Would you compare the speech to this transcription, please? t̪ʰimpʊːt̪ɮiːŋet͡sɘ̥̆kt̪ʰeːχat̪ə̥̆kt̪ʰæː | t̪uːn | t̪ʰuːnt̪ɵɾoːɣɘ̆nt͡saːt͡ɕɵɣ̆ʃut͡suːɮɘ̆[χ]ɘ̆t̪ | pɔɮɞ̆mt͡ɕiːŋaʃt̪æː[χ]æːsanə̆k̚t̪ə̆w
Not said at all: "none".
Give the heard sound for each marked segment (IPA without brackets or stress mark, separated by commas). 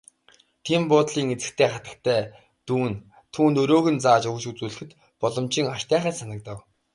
x, χ